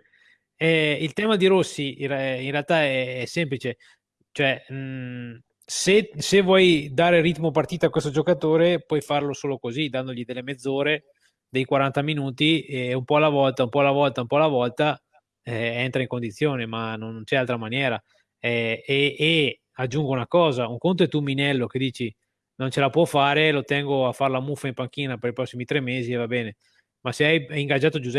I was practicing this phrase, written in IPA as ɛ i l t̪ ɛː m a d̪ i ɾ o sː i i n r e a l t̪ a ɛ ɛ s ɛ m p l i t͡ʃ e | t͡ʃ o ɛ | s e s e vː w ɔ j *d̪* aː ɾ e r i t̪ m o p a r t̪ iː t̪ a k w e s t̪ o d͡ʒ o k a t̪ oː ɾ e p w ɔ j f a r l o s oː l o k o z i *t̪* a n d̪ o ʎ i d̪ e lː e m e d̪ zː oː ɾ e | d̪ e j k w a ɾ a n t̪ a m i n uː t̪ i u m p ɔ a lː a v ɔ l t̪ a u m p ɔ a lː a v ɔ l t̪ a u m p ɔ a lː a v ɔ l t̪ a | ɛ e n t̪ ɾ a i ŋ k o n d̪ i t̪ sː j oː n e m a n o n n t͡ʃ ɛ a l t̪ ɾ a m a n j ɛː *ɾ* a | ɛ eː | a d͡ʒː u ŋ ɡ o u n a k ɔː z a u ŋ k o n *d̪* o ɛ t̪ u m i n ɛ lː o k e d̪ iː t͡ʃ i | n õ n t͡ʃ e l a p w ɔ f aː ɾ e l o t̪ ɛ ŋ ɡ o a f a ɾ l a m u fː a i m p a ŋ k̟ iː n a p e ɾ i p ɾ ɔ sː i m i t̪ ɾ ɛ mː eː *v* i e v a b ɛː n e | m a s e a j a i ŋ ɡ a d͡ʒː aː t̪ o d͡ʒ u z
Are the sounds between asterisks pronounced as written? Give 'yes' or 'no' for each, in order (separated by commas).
yes, no, yes, no, no